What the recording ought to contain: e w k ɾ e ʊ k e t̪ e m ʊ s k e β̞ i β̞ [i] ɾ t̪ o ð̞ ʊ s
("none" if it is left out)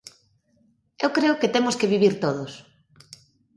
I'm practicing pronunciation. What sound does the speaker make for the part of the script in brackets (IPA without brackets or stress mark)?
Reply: i